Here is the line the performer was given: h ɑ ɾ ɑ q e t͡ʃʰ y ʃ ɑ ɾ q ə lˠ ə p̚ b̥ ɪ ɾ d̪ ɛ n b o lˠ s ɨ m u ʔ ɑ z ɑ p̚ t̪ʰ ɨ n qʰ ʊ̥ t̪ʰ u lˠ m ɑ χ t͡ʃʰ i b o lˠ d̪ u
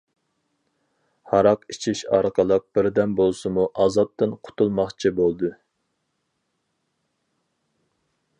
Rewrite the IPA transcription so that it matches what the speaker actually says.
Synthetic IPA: h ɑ ɾ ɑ q i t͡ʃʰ i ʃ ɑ ɾ q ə lˠ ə q̚ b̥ ɪ ɾ d̪ ɛ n b o lˠ s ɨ m u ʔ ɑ z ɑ p̚ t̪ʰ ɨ n qʰ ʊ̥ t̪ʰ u lˠ m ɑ χ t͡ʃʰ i b o lˠ d̪ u